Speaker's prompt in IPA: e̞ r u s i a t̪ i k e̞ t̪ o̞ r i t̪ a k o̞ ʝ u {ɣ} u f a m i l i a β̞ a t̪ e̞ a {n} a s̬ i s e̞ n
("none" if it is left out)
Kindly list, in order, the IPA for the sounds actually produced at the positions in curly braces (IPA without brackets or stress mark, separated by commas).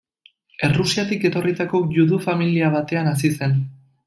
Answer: ð, n